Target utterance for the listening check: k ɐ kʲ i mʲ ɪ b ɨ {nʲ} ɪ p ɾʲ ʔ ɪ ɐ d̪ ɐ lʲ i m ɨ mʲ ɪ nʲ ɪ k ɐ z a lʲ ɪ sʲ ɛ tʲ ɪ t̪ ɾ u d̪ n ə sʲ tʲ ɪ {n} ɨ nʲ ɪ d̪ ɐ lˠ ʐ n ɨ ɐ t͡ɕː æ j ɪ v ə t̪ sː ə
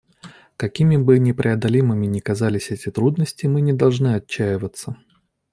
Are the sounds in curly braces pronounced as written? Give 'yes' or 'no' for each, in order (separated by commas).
yes, no